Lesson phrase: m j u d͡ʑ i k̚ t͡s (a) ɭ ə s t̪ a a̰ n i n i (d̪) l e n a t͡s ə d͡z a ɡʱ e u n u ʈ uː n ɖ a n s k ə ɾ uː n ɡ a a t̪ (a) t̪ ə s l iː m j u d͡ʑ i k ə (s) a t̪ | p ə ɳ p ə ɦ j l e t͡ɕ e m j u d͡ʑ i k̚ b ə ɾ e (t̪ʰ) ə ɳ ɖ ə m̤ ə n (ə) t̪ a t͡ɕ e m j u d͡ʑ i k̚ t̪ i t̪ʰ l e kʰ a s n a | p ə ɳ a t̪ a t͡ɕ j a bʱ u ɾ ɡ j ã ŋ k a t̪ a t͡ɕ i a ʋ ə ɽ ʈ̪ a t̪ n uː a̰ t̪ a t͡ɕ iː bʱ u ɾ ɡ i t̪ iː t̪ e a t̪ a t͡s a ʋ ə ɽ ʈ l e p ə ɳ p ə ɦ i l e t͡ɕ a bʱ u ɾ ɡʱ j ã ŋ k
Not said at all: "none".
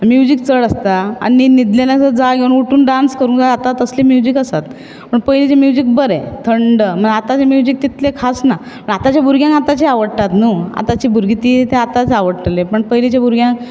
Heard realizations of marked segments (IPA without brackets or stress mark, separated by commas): ə, d̪, a, s, t̪ʰ, a